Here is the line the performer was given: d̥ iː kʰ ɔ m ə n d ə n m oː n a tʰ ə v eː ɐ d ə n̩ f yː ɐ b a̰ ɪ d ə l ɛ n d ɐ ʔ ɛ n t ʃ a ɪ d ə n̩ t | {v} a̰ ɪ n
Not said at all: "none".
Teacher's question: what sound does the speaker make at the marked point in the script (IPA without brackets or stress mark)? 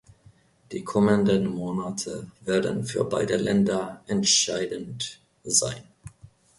z